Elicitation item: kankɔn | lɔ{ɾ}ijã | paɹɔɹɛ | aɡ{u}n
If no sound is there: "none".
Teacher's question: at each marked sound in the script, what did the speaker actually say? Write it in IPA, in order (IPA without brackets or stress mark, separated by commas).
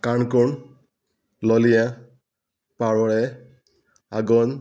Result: l, ɔ